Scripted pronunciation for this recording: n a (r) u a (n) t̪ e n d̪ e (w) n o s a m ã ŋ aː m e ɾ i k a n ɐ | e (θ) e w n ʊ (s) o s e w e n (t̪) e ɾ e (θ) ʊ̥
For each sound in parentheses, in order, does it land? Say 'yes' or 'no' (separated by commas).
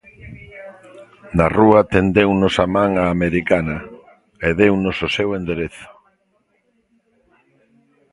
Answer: yes, no, yes, no, yes, no, yes